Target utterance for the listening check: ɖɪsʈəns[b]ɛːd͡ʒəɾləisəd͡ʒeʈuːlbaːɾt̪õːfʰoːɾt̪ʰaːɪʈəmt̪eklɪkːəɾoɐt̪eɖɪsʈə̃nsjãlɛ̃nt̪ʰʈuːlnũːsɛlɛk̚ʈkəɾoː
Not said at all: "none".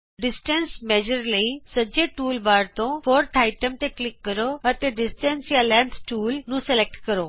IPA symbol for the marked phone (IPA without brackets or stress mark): m